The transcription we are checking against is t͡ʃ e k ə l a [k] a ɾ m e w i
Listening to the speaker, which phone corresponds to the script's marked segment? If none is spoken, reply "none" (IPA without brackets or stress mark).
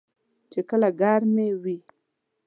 ɡ